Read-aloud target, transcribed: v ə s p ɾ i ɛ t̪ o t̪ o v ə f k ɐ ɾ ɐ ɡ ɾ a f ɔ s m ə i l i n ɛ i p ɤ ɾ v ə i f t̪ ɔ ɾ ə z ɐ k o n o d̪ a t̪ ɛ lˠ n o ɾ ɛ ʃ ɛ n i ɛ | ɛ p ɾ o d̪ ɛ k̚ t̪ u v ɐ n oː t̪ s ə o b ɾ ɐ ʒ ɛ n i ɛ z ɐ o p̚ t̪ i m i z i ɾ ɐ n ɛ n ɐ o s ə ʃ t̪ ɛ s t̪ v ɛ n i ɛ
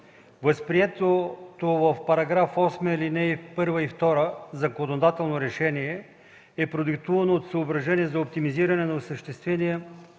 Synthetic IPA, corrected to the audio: v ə s p ɾ i ɛ t̪ o t̪ o v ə f p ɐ ɾ ɐ ɡ ɾ a f ɔ s m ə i l i n ɛ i p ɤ ɾ v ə i f t̪ ɔ ɾ ə z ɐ k o n o d̪ a t̪ ɛ lˠ n o ɾ ɛ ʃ ɛ n i ɛ | ɛ p ɾ o d̪ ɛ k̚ t̪ u v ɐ n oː t̪ s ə o b ɾ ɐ ʒ ɛ n i ɛ z ɐ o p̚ t̪ i m i z i ɾ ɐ n ɛ n ɐ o s ə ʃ t̪ ɛ s t̪ v ɛ n i ɛ